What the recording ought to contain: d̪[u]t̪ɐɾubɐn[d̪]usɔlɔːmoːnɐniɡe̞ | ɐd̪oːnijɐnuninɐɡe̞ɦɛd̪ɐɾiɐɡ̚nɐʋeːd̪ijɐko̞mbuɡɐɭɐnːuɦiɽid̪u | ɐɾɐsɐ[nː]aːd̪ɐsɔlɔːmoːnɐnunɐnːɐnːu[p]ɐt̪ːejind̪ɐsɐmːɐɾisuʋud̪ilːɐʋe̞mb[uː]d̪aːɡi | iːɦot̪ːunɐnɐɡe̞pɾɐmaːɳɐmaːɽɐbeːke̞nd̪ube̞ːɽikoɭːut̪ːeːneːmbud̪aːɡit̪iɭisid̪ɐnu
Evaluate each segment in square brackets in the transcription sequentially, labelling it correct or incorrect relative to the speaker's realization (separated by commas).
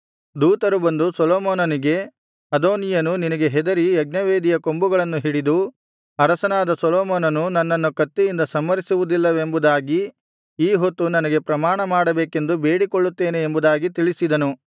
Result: incorrect, correct, incorrect, incorrect, incorrect